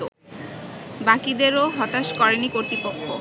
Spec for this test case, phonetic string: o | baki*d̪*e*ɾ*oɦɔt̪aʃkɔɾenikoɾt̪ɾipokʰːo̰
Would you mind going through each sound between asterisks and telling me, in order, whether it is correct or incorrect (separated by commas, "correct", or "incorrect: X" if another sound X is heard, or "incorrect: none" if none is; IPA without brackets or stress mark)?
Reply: correct, correct